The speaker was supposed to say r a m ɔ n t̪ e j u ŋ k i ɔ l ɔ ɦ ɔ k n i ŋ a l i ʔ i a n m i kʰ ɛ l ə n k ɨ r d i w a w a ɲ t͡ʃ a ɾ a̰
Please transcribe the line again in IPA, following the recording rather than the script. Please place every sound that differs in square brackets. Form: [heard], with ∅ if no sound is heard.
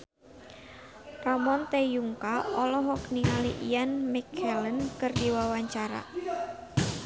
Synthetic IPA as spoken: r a m ɔ n t̪ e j u ŋ k [a] ɔ l ɔ ɦ ɔ k n i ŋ a l i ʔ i a n m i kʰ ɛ l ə n k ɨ r d i w a w a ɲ t͡ʃ a ɾ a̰

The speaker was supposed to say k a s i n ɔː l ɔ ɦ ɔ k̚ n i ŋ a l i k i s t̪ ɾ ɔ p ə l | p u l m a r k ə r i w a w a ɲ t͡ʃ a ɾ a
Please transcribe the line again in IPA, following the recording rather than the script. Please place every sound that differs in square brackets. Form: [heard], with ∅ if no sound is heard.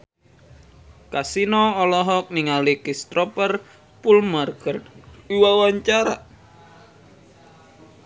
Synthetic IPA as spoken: k a s i n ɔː l ɔ ɦ ɔ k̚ n i ŋ a l i k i s t̪ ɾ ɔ p ə [r] | p u l m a r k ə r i w a w a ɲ t͡ʃ a ɾ a

